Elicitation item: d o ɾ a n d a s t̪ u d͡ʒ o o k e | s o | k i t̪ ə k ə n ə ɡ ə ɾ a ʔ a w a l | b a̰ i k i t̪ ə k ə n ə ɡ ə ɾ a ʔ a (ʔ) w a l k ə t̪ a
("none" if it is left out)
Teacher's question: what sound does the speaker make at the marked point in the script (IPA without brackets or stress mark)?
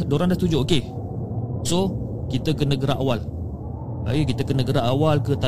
none